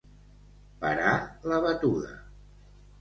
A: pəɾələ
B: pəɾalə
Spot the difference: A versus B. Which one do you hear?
B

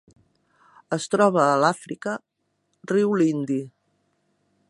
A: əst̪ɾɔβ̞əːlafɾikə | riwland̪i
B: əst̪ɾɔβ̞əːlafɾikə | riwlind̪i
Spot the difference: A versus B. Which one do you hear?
B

